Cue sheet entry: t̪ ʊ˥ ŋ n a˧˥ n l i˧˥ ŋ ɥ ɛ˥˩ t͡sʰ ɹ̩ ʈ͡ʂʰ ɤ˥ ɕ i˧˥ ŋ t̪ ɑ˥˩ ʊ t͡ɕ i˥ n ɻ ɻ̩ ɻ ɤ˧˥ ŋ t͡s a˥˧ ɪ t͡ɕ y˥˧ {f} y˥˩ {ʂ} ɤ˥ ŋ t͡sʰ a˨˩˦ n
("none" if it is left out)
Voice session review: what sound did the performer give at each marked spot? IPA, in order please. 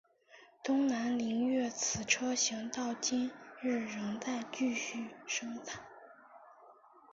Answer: ɕ, ʂ

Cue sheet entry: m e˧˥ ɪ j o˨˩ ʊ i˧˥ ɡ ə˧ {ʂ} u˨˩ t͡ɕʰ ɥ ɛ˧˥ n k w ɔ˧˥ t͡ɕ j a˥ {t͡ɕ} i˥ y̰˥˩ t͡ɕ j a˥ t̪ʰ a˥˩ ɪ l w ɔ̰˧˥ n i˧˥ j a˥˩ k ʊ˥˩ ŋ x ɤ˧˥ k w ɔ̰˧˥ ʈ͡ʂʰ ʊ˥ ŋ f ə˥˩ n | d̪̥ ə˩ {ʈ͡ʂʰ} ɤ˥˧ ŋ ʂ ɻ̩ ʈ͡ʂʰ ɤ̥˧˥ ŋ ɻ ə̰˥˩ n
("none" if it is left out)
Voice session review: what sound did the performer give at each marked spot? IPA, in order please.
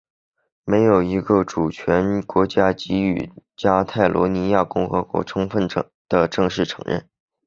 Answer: ʈ͡ʂ, t͡ɕ, ʈ͡ʂ

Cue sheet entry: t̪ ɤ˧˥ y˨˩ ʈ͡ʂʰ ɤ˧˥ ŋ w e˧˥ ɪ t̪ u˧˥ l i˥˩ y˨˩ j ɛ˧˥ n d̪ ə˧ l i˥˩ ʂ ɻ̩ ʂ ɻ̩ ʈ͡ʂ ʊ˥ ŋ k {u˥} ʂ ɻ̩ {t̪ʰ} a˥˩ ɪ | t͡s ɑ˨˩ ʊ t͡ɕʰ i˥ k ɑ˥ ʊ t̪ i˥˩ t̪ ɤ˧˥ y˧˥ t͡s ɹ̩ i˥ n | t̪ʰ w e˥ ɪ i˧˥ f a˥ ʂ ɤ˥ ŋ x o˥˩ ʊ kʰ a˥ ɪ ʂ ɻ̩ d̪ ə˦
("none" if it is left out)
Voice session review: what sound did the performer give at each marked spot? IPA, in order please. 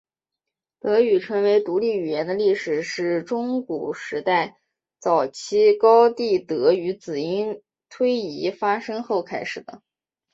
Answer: u˨˩, t̪

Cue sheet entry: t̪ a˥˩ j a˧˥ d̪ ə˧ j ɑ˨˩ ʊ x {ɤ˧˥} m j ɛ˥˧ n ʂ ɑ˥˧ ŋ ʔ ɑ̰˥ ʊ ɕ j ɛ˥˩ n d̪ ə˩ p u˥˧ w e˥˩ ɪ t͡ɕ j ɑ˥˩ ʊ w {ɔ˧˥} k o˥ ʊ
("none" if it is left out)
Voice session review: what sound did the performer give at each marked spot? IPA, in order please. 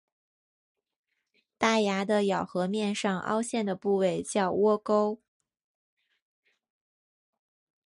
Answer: ɤ˧˥, ɔ˥

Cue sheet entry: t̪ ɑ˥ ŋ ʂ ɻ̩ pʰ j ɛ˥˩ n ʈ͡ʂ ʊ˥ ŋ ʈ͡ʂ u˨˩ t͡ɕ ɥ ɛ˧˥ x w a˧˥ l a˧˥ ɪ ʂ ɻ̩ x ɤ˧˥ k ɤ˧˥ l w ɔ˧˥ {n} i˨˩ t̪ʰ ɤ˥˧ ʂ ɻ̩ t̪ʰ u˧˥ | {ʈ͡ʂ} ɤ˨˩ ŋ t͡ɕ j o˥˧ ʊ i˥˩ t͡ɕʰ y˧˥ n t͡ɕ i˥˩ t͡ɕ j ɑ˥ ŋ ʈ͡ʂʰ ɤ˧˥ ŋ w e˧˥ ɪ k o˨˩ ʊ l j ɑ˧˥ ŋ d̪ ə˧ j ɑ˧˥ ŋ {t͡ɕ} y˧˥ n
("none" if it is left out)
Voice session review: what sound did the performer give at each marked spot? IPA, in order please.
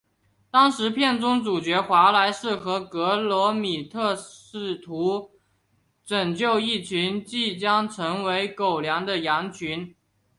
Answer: m, ʈ͡ʂ, t͡ɕʰ

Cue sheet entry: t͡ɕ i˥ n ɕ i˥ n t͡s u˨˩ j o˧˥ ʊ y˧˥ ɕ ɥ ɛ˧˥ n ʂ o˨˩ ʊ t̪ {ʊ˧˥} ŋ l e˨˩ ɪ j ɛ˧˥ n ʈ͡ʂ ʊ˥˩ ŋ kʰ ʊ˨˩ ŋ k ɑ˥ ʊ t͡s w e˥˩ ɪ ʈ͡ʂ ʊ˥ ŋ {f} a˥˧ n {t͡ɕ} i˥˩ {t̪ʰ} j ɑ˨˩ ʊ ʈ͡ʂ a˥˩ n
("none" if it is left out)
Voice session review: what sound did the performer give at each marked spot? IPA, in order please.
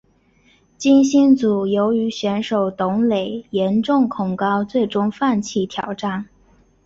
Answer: ʊ˧˥, f, t͡ɕʰ, t̪ʰ

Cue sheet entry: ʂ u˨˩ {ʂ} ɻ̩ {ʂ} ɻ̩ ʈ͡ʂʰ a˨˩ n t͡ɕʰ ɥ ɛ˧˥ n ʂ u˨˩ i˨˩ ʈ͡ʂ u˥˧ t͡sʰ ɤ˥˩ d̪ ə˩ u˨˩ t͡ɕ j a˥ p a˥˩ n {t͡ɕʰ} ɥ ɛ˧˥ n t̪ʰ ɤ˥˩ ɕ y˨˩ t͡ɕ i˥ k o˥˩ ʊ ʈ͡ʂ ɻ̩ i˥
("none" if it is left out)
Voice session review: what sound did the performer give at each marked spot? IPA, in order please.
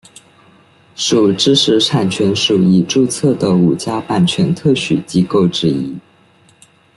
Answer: ʈ͡ʂ, ʂ, t͡ɕʰ

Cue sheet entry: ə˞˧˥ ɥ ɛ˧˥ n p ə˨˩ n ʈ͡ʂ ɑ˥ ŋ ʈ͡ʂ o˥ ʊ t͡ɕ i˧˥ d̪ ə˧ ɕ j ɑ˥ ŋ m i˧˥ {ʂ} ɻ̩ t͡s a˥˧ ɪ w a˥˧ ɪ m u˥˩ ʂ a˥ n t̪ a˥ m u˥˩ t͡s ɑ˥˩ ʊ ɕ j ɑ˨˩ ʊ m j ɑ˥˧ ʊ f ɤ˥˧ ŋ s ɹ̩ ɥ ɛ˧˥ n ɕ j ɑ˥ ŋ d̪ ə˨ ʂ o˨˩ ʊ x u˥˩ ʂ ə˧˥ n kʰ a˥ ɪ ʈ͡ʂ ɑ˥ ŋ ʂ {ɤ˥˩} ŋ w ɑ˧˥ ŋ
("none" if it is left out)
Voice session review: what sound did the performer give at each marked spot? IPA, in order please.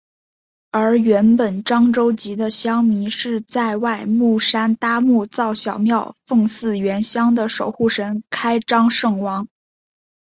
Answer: ʂ, ɤ˥˩

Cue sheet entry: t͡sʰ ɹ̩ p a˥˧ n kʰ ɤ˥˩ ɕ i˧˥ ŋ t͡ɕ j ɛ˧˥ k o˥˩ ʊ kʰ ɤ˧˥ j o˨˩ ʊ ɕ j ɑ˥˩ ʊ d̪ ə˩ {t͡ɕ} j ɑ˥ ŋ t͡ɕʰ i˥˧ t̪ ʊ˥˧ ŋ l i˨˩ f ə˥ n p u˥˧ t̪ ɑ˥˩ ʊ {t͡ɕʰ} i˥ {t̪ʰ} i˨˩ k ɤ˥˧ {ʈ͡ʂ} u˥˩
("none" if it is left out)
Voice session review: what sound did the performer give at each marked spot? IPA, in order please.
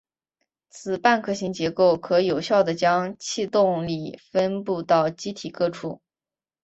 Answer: t͡ɕ, t͡ɕ, t̪ʰ, ʈ͡ʂʰ

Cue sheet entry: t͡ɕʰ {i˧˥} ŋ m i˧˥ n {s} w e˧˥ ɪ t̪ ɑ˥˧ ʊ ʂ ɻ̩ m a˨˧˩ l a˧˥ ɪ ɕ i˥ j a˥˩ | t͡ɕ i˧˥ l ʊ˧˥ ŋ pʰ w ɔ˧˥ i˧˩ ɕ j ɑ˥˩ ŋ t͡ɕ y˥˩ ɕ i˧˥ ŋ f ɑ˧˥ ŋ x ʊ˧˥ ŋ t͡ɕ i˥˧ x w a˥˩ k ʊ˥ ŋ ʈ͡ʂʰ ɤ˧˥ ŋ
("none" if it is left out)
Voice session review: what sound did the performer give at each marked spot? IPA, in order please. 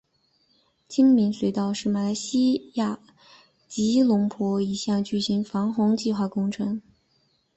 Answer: i˥, s

